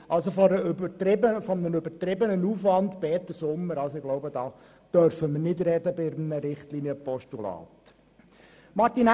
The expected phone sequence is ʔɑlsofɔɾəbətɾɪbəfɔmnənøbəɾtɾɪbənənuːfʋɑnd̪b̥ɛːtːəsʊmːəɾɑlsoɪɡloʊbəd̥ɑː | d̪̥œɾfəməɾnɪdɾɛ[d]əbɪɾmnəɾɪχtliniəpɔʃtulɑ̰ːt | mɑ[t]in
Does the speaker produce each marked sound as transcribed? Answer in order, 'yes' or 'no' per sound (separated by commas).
yes, yes